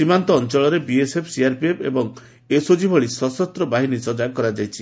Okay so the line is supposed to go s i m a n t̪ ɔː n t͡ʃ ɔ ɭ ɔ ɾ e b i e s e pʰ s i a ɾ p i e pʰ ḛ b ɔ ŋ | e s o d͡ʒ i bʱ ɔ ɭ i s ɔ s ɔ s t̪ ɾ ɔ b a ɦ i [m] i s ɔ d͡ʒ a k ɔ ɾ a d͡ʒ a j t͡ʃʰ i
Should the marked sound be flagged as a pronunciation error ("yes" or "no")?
yes